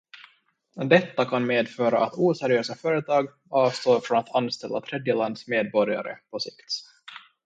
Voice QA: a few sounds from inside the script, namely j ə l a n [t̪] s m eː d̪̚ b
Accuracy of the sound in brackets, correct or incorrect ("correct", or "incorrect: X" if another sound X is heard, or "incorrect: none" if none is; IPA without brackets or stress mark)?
incorrect: d̪